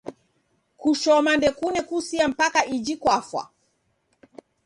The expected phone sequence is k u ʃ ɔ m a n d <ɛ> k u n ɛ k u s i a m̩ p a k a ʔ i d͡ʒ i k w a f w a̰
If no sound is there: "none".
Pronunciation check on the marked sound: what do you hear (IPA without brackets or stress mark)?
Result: ɛ